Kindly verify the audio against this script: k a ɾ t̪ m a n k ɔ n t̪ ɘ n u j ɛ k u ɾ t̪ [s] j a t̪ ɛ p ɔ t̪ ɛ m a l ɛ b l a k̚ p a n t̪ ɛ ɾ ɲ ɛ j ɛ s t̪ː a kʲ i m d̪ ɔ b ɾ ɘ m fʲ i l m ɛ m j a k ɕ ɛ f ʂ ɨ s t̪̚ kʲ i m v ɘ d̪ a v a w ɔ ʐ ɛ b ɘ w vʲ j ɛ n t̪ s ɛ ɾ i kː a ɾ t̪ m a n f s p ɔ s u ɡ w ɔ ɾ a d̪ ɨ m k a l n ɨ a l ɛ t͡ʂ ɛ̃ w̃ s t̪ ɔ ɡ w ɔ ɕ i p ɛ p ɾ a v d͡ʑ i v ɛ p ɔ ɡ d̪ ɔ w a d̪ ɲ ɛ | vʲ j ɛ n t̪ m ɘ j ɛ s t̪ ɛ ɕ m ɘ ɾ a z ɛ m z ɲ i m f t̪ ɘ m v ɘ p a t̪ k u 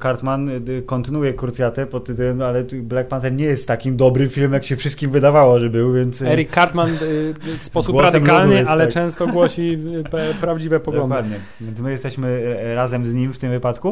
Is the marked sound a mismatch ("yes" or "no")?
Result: no